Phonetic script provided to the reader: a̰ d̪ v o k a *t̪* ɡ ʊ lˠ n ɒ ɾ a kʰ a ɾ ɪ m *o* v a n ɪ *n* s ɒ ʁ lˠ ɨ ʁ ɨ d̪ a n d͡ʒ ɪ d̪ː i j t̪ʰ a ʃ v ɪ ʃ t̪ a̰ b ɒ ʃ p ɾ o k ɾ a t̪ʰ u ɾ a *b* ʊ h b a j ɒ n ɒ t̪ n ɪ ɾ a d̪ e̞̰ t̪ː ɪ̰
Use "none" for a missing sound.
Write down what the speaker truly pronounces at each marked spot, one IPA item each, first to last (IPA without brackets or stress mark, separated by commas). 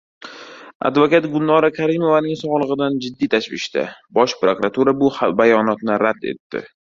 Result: t̪, o, ŋ, b